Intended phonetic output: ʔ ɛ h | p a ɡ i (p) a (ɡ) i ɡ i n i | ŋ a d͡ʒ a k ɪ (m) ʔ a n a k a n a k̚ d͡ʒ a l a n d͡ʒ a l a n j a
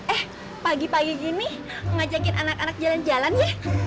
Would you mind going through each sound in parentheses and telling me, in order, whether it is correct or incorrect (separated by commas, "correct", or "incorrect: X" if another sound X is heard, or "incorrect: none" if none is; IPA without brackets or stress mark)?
correct, correct, incorrect: n